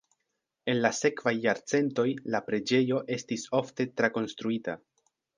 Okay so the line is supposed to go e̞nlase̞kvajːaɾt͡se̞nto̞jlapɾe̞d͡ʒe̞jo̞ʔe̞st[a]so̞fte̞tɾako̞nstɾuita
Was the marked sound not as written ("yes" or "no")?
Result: yes